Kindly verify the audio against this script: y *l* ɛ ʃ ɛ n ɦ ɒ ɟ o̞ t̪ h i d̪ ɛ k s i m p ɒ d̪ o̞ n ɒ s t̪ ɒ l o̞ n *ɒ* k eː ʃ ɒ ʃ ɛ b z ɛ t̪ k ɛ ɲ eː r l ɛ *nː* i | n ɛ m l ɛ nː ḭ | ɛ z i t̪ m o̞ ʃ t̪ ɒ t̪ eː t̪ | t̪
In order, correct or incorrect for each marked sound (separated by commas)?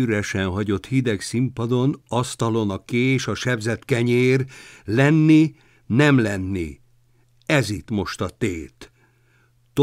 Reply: incorrect, correct, correct